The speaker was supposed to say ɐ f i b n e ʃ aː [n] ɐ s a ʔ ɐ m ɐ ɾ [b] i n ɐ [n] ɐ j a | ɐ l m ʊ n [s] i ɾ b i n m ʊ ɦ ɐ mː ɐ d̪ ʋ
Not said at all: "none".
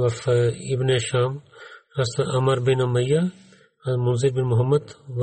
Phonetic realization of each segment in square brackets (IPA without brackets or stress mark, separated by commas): m, b, m, z